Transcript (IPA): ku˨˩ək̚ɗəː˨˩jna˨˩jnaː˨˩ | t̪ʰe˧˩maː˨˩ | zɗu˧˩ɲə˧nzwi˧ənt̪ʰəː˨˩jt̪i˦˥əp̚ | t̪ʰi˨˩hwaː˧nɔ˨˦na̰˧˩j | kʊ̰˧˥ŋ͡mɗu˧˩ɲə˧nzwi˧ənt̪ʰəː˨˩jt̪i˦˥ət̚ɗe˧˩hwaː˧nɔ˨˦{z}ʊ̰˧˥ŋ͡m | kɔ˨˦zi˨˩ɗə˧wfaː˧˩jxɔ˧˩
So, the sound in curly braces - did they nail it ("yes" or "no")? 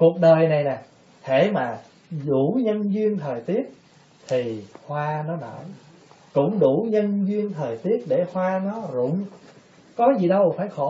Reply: yes